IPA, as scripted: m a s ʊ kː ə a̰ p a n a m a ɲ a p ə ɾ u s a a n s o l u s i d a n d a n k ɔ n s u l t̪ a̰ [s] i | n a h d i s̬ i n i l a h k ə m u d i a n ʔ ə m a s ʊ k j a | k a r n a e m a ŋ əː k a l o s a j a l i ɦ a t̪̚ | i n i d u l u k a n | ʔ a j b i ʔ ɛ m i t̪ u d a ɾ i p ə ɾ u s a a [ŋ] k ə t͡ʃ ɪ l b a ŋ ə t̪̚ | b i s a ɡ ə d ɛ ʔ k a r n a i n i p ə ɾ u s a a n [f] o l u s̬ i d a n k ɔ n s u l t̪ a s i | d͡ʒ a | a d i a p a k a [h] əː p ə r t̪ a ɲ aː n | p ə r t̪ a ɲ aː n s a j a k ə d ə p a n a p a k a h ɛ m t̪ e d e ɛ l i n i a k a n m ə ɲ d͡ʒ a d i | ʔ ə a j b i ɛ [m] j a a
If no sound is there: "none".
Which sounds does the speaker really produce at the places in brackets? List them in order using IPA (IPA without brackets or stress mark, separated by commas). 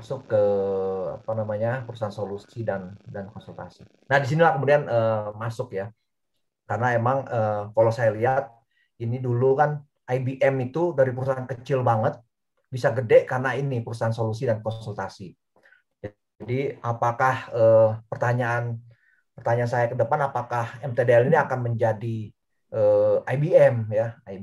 s, n, s, h, m